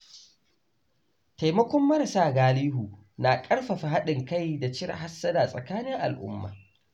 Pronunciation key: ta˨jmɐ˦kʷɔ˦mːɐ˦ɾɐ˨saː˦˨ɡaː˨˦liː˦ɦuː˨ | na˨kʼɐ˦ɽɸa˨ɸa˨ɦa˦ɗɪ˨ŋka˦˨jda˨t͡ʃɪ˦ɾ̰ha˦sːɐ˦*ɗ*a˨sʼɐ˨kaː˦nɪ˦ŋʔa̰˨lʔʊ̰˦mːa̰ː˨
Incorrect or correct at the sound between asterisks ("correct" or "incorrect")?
incorrect